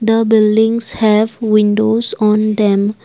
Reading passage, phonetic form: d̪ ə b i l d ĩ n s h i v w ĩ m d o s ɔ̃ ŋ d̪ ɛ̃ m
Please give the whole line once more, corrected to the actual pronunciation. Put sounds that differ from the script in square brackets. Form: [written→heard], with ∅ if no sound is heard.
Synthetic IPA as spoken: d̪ ə b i l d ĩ [n→ŋ] s h [i→ɛ] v w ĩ [m→n] d o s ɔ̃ [ŋ→n] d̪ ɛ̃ m